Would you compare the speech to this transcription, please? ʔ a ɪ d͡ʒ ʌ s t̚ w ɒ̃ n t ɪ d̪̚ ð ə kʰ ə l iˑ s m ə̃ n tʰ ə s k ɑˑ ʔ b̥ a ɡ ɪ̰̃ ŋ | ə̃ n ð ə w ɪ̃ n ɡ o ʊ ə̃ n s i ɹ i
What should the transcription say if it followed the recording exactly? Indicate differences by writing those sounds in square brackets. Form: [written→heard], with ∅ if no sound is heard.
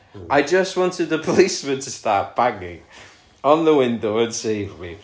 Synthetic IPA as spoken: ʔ a ɪ d͡ʒ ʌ s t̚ w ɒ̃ n t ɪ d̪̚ ð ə [kʰ→pʰ] ə l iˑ s m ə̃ n tʰ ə s [k→t] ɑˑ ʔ b̥ a ɡ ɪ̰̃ ŋ | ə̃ n ð ə w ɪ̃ n [ɡ→d] o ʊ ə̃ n s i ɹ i